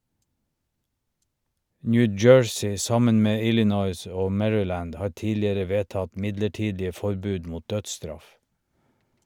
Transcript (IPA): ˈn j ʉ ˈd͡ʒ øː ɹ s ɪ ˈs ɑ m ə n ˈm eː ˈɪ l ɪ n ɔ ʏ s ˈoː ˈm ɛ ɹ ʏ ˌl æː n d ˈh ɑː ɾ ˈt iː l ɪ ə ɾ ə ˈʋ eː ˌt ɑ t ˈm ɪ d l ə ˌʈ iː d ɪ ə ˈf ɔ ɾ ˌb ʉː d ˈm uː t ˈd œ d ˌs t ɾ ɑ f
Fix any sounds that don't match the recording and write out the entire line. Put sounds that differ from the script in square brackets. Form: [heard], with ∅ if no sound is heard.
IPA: ˈn j ʉ ˈd͡ʒ øː ɹ s ɪ ˈs ɑ m ə n ˈm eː ˈɪ l ɪ n ɔ ʏ s ˈoː ˈm ɛ ɹ ʏ ˌl æː n d ˈh ɑː ɾ ˈt iː l ɪ ə ɾ ə ˈʋ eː ˌt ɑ t ˈm ɪ d l ə ˌʈ iː d ɪ ə ˈf ɔ ɾ ˌb ʉː d ˈm uː t ˈd œ d ˌs t ɾ ɑ f

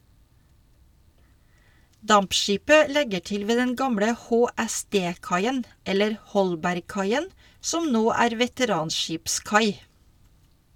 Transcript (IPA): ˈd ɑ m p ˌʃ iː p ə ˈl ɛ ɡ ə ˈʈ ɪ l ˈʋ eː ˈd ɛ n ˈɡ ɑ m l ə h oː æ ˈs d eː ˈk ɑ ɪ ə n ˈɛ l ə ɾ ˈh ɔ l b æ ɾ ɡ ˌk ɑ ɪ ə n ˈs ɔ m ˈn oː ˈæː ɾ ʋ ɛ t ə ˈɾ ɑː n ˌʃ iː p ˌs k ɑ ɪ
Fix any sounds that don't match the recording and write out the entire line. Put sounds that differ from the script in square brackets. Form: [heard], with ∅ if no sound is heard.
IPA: ˈd ɑ m p ˌʃ iː p ə ˈl ɛ ɡ ə ˈʈ ɪ l ˈʋ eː ˈd ɛ n ˈɡ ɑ m [ɽ] ə h oː æ ˈs d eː ˈk ɑ ɪ ə n ˈɛ l ə ɾ ˈh ɔ l b æ ɾ ɡ ˌk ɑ ɪ ə n ˈs ɔ m ˈn oː ˈæː ɾ ʋ ɛ t ə ˈɾ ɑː n ˌʃ iː p ˌs k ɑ ɪ

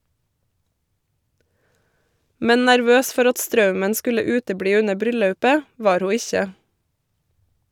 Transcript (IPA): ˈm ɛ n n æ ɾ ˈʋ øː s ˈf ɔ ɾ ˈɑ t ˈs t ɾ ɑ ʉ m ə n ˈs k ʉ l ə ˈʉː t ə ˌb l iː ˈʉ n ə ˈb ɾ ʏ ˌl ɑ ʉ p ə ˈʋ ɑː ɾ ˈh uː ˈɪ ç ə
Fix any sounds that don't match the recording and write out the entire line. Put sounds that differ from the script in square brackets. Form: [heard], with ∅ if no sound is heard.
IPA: ˈm ɛ n n æ ɾ ˈʋ øː s ˈf ɔ ɾ ˈɑ t ˈs t ɾ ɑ ʉ m ə n ˈs k ʉ l ə ˈʉː t ə ˌb [ɽ] iː ˈʉ n ə ˈb ɾ ʏ ˌl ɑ ʉ p ə ˈʋ ɑː ɾ ˈh uː ˈɪ ç ə

